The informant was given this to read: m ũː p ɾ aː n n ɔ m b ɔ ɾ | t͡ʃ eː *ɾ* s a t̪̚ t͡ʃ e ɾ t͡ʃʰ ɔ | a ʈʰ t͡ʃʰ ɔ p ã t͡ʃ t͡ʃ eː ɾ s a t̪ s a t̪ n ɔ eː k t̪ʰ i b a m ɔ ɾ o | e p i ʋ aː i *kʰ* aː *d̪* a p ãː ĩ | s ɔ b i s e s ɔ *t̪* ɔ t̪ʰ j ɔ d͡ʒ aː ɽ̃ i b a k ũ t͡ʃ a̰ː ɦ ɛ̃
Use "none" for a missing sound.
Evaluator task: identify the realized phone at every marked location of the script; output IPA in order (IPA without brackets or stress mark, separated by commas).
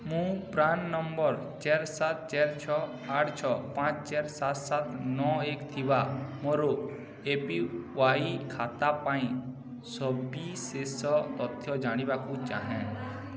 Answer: ɾ, kʰ, t̪, t̪